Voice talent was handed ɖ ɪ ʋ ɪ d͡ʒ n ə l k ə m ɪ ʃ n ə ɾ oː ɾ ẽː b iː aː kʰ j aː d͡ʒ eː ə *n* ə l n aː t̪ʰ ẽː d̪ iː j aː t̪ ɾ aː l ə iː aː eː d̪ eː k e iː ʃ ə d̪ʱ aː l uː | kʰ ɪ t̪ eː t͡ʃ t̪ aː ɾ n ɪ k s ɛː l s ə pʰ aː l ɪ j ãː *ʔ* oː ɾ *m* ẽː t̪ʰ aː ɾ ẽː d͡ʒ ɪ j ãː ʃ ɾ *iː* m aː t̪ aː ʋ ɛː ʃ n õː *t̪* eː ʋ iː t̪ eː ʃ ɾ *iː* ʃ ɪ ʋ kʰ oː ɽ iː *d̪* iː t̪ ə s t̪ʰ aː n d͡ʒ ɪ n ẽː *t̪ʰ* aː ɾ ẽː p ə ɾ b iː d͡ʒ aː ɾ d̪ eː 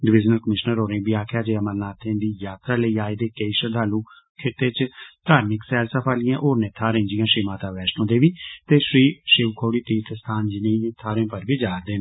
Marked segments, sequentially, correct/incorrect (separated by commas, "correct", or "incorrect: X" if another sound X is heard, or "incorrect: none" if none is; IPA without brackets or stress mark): incorrect: m, correct, incorrect: n, correct, incorrect: d̪, correct, incorrect: t̪, correct